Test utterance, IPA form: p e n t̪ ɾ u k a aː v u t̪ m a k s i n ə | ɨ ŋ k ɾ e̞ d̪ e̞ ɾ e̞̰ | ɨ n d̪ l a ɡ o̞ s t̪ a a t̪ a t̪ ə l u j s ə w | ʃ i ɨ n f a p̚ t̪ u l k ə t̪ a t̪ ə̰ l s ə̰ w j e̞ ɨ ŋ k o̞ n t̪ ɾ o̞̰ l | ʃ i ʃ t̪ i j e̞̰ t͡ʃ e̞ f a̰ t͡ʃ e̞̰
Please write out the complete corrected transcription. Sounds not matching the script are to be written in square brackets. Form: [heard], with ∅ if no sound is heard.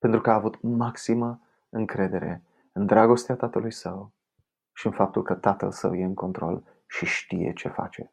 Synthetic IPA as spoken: p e n t̪ ɾ u k [ə] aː v u t̪ m a k s i [m] ə | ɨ ŋ k ɾ e̞ d̪ e̞ ɾ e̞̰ | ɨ n d̪ [ɾ] a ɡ o̞ s t̪ [e] a t̪ a t̪ ə l u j s ə w | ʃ i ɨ n f a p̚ t̪ u l k ə t̪ a t̪ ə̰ l s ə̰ w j e̞ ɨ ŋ k o̞ n t̪ ɾ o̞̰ l | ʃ i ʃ t̪ i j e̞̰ t͡ʃ e̞ f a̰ t͡ʃ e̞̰